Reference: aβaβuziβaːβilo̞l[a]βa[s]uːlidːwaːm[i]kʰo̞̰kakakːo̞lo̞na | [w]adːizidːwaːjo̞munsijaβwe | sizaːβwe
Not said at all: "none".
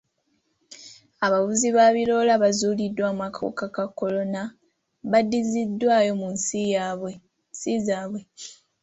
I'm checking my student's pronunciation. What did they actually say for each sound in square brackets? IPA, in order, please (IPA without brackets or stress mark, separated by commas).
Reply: a, z, a, β